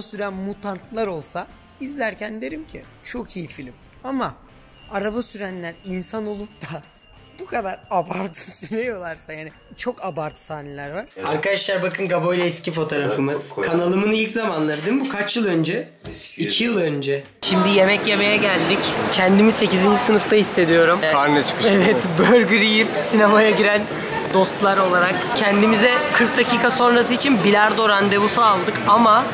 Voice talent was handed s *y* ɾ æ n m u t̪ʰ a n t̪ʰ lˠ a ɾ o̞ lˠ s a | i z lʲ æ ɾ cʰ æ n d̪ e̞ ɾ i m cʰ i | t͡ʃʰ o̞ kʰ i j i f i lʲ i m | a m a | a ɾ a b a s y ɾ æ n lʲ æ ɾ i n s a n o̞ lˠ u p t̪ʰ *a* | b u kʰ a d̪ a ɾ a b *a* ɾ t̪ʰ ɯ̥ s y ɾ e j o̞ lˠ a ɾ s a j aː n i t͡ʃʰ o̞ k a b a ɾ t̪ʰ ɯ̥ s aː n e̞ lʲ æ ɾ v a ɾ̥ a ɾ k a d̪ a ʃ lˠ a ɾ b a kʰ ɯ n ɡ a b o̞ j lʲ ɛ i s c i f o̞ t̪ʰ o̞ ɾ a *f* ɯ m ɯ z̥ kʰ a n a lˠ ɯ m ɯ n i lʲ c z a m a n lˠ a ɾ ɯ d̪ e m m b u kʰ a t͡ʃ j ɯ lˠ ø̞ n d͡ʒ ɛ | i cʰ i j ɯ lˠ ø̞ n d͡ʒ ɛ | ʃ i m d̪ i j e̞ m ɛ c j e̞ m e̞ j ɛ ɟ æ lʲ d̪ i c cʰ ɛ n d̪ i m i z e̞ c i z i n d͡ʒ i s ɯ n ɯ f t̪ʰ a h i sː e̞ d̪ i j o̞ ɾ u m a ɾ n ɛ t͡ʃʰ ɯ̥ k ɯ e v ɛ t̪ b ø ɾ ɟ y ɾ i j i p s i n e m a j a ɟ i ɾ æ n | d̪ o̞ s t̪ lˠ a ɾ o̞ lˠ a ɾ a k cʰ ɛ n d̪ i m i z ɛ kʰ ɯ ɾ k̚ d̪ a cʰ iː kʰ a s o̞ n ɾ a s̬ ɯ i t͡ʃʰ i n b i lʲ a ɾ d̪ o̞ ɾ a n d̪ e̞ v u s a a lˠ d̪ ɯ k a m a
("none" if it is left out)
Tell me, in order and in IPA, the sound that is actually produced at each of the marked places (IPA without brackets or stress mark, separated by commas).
y, a, a, f